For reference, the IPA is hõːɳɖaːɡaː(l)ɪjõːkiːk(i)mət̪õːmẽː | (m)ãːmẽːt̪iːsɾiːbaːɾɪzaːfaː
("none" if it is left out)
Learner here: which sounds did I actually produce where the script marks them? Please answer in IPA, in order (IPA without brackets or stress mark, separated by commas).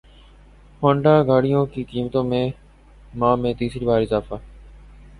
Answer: ɽ, iː, m